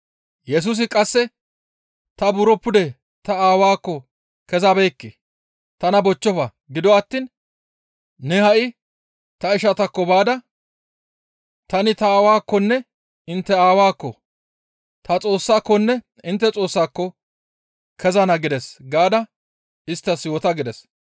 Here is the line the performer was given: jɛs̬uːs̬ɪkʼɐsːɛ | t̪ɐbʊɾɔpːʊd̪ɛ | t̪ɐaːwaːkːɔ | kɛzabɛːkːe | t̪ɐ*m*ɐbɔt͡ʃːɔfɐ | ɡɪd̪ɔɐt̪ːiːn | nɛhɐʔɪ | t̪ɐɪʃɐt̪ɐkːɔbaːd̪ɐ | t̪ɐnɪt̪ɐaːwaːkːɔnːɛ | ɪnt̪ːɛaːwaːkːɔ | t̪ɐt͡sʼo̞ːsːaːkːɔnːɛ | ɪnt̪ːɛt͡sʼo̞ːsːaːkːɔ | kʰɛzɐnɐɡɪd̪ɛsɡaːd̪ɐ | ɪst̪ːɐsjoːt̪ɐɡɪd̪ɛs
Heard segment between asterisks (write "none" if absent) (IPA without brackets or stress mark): n